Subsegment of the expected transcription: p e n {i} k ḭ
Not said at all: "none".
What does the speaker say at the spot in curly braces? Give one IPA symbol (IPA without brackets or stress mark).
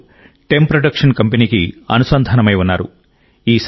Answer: iː